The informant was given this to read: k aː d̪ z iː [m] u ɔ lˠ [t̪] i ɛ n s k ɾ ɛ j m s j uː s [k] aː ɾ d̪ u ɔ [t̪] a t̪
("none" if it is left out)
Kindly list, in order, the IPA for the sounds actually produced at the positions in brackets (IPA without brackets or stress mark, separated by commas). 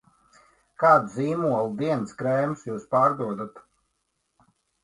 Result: m, d̪, p, d̪